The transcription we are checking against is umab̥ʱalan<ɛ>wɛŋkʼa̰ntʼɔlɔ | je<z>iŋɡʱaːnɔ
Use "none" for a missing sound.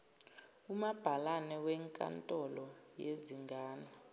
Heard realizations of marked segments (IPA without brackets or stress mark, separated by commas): ɛ, z